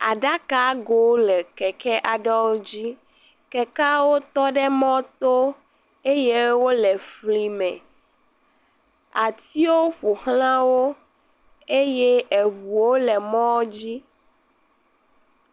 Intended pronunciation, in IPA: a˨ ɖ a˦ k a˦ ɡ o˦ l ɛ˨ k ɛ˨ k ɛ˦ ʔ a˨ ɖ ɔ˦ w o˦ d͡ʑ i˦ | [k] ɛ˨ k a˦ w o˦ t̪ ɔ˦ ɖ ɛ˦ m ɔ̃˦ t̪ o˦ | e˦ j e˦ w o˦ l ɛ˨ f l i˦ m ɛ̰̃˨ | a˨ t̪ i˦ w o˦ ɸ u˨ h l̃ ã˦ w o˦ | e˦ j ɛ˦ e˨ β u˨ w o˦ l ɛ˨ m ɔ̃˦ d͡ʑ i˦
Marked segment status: correct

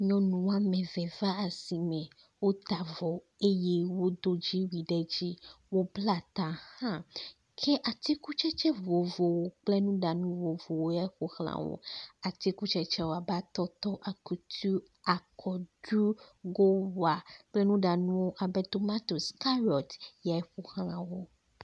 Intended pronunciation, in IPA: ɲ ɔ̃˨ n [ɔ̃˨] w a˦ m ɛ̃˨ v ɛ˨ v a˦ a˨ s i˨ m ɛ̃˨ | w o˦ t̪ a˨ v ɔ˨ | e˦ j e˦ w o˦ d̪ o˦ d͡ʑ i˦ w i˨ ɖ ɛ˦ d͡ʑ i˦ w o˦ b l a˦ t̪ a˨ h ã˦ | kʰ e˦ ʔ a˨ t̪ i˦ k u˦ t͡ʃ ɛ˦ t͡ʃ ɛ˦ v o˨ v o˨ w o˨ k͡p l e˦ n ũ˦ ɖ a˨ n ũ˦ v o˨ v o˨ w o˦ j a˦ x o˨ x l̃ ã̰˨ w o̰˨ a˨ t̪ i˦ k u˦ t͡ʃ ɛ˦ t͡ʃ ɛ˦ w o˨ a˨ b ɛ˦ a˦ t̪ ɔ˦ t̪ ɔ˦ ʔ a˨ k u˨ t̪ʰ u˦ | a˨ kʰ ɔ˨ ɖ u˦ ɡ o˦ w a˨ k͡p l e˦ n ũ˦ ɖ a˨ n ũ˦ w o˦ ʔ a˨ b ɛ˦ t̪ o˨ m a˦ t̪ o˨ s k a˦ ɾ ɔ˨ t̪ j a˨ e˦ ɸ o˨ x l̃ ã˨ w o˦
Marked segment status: incorrect: ũ˨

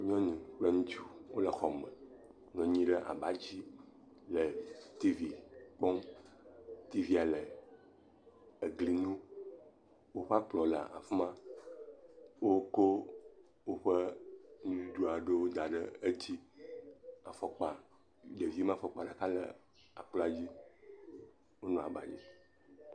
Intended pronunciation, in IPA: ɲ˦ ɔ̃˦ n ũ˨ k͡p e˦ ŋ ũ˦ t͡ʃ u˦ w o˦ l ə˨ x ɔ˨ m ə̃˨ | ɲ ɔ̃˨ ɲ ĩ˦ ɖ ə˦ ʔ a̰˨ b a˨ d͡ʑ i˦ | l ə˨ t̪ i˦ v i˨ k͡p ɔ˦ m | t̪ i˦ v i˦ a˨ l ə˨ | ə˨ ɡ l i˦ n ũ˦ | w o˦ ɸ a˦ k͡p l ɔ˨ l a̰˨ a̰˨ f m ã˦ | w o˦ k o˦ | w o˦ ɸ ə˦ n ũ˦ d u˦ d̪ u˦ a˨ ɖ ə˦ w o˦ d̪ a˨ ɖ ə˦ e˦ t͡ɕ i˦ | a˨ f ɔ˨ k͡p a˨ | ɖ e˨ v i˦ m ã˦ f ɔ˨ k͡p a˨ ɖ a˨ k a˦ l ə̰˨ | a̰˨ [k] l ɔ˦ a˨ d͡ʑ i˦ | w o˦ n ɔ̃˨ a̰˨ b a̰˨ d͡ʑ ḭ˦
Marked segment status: incorrect: k͡p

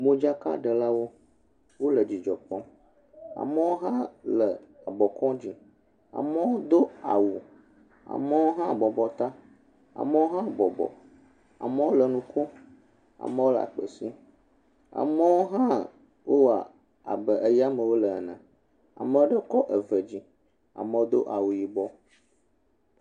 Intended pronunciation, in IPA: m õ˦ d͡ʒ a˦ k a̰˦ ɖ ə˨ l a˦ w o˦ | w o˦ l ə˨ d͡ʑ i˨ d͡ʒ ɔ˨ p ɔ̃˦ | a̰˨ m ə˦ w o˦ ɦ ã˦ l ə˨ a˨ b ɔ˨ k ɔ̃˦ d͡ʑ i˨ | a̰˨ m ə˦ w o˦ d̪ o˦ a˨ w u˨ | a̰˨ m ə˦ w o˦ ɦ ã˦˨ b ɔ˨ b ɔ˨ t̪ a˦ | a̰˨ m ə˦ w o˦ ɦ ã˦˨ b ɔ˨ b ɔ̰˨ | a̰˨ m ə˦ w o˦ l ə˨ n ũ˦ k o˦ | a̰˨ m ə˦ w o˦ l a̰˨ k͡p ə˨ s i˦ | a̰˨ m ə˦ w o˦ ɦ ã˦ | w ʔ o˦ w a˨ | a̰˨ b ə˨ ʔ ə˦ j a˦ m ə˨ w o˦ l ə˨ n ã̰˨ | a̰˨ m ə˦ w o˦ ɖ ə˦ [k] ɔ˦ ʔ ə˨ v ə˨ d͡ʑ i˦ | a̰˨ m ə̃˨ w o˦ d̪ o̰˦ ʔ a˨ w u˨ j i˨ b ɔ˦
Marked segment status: correct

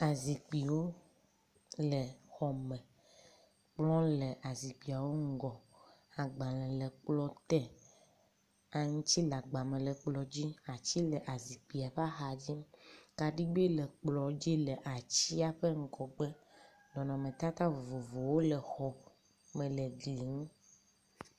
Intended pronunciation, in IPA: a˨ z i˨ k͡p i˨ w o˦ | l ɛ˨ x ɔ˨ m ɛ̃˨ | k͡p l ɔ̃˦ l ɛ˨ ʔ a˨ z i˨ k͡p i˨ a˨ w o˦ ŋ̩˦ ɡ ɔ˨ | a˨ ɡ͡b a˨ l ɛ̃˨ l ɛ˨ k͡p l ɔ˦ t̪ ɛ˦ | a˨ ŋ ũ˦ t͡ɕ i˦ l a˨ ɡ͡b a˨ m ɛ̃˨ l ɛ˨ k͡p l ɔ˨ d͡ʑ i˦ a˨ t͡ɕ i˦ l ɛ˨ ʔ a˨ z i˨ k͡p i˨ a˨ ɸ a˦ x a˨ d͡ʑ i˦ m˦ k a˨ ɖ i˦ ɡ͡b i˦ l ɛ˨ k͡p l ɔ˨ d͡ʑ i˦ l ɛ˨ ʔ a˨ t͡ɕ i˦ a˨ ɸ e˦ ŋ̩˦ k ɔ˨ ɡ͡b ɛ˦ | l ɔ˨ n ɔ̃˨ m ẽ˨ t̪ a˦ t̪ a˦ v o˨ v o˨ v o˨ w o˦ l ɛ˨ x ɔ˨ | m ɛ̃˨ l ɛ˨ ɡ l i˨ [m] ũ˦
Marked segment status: incorrect: ŋ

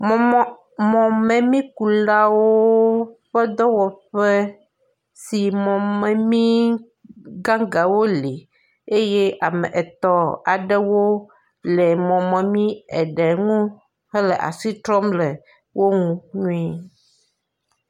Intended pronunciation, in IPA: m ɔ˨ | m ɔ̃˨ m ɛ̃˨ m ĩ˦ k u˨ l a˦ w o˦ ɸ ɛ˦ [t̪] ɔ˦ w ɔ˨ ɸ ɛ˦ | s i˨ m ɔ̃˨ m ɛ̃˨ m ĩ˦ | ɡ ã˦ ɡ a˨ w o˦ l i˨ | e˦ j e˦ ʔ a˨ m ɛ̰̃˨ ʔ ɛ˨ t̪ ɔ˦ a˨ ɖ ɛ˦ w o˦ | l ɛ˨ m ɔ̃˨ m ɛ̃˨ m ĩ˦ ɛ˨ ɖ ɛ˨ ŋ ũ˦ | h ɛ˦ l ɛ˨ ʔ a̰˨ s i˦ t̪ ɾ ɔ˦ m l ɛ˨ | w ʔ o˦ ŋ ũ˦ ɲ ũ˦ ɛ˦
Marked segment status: incorrect: d̪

